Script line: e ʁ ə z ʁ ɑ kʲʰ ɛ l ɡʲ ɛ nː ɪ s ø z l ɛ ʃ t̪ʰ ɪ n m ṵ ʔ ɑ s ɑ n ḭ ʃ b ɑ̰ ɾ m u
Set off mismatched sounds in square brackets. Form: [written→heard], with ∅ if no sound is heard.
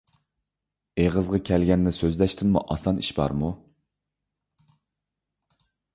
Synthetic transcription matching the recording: e ʁ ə z ʁ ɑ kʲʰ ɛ l ɡʲ ɛ nː ɪ s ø z l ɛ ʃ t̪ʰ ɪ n m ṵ ʔ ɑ s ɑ n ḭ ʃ b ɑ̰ ɾ m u

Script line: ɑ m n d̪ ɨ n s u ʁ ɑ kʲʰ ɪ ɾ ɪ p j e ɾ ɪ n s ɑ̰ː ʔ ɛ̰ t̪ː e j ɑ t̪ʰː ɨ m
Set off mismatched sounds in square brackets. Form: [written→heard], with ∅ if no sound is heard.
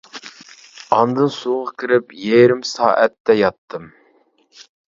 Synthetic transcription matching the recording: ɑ [m→∅] n d̪ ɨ n s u ʁ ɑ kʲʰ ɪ ɾ ɪ p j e ɾ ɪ [n→m] s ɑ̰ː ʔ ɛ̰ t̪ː [e→ɛ] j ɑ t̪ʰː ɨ m

